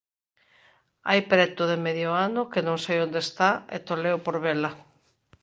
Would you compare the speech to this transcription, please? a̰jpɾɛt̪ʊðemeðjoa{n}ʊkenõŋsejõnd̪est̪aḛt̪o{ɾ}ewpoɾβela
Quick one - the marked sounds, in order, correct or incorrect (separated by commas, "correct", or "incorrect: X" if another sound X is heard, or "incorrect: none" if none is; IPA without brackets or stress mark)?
correct, incorrect: l